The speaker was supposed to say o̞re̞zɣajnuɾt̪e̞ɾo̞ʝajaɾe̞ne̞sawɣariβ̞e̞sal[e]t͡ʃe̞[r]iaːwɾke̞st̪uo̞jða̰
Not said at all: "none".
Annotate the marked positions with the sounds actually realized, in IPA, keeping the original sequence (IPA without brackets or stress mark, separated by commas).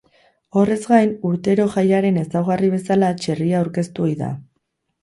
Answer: a, r